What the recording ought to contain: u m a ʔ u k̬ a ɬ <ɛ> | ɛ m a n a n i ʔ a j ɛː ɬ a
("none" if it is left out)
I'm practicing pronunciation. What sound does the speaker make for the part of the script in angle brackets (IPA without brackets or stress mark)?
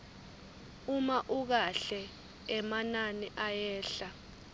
ɛ